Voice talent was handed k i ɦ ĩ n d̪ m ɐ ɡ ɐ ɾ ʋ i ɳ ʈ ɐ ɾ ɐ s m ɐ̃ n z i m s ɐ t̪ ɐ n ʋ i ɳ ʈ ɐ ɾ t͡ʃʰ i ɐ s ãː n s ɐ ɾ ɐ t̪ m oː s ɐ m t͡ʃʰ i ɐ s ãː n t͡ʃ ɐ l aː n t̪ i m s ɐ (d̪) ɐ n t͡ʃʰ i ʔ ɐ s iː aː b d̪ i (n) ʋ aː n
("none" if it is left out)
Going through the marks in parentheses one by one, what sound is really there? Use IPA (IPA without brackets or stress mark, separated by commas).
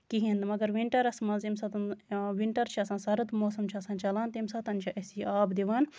t̪, none